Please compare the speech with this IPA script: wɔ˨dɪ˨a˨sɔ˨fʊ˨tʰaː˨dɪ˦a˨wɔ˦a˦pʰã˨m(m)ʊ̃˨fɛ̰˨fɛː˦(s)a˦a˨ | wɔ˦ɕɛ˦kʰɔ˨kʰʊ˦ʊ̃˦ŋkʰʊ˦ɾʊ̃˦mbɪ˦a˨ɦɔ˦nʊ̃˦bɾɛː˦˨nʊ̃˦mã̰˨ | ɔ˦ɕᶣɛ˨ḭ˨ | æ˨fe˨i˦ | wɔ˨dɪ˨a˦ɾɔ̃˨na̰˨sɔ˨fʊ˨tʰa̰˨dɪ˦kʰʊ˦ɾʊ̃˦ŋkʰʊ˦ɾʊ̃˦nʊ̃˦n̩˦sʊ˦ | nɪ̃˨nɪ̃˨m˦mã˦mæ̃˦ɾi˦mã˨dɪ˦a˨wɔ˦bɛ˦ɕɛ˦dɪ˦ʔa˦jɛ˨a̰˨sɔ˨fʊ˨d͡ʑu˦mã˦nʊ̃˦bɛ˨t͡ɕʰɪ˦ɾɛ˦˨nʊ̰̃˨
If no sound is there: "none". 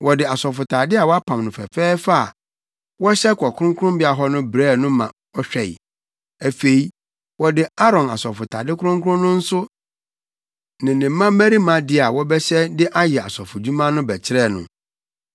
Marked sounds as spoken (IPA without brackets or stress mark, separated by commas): n, f